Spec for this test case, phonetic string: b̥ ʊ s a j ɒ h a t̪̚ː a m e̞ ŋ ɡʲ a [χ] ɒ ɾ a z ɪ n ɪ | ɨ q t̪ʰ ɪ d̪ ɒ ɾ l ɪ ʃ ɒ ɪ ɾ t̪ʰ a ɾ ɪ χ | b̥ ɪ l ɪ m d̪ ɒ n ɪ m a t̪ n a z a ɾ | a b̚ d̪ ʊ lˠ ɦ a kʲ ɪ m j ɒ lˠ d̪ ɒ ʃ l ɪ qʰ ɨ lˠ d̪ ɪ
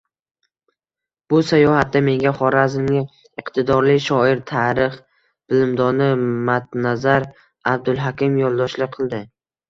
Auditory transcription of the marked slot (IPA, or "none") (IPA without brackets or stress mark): χ